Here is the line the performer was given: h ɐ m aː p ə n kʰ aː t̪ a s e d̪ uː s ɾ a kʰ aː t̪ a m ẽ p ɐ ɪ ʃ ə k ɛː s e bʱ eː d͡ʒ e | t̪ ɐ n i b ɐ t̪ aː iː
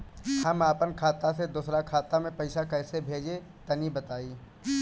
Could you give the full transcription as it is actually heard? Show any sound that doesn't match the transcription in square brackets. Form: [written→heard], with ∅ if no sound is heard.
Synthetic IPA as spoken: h ɐ m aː p ə n kʰ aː t̪ a s e d̪ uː s ɾ a kʰ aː t̪ a m ẽ p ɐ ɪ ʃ [ə→a] k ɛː s e bʱ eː d͡ʒ e | t̪ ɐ n i b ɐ t̪ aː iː